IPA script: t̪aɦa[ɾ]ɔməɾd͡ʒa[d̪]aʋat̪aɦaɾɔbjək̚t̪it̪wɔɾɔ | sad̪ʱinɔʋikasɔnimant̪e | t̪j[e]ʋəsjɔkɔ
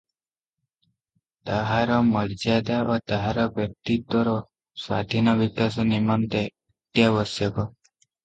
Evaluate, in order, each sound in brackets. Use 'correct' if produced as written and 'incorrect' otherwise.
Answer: correct, correct, incorrect

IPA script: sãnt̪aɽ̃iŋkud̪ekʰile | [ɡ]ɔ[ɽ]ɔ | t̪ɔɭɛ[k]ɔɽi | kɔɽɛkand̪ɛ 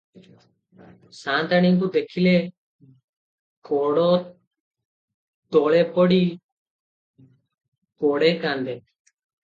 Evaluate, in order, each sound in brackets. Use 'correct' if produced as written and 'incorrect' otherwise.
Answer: incorrect, correct, incorrect

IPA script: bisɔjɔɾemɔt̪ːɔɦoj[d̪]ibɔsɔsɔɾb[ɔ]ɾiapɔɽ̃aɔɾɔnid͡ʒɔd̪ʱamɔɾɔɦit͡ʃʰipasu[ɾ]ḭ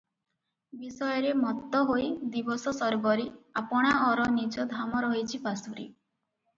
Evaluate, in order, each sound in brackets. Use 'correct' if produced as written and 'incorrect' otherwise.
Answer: correct, correct, correct

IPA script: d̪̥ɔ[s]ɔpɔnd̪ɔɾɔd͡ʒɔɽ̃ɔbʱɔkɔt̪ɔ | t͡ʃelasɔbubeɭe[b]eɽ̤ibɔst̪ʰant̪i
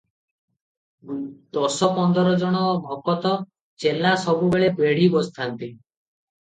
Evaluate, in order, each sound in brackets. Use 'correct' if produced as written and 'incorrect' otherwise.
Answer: correct, correct

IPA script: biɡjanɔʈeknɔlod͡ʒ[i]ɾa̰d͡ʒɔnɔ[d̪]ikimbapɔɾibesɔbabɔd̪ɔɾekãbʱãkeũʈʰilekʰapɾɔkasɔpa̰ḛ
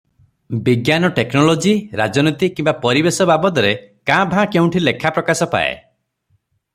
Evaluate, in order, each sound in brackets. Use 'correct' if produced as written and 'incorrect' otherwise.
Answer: correct, incorrect

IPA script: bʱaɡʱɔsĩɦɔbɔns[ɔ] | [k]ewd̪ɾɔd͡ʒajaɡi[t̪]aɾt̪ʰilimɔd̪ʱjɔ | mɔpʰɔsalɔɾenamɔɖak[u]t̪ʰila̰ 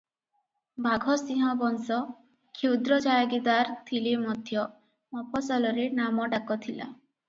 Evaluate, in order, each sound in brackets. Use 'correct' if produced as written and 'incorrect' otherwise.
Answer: correct, incorrect, incorrect, incorrect

